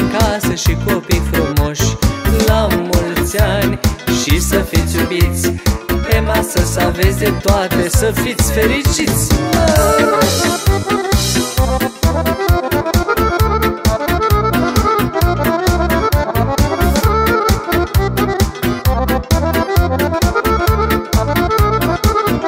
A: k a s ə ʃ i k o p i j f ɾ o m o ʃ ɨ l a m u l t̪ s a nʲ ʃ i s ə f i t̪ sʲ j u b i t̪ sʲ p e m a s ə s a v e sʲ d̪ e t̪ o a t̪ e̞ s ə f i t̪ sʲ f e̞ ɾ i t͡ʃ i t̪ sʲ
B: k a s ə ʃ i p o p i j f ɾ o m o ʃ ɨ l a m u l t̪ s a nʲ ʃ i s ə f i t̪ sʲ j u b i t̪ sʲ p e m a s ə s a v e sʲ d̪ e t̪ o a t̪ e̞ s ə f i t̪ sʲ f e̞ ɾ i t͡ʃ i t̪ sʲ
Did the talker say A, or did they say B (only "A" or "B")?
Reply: A